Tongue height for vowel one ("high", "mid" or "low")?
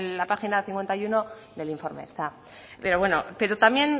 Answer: low